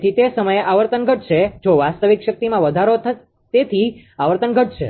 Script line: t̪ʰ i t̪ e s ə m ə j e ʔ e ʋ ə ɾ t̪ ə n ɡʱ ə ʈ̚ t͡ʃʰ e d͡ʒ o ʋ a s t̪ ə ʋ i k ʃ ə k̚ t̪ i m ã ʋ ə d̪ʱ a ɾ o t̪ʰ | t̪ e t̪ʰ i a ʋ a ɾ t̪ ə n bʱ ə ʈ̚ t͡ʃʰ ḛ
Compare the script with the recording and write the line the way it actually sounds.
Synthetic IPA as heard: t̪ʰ i t̪ e s ə m ə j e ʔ a ʋ ə ɾ t̪ ə n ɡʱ ə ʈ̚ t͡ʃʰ e d͡ʒ o ʋ a s t̪ ə ʋ i k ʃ ə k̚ t̪ i m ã ʋ ə d̪ʱ a ɾ o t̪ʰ | t̪ e t̪ʰ i a ʋ ə ɾ t̪ ə n ɡʱ ə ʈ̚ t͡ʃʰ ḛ